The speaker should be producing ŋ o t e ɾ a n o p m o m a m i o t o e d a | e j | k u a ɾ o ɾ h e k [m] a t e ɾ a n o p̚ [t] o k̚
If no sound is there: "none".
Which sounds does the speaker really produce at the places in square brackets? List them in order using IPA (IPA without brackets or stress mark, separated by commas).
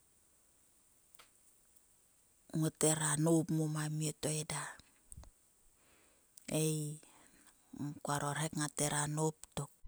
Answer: ŋ, t